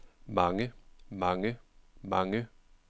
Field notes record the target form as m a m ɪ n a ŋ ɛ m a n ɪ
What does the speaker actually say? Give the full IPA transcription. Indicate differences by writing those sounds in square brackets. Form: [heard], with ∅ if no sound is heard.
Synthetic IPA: m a [ŋ] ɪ [m] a ŋ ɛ m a [ŋ] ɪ